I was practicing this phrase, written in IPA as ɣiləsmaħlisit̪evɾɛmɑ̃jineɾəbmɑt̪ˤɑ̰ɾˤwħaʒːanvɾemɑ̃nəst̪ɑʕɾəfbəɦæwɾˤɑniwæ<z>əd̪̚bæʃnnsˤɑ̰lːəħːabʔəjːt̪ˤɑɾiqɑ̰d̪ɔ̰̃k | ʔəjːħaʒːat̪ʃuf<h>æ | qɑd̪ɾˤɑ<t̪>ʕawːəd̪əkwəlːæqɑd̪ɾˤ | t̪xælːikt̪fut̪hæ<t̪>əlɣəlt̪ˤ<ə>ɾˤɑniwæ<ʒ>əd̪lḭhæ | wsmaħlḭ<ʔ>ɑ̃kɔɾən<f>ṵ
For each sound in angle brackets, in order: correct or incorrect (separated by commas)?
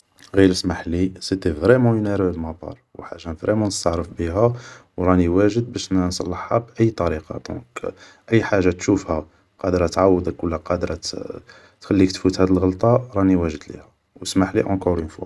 incorrect, correct, correct, incorrect, incorrect, correct, correct, correct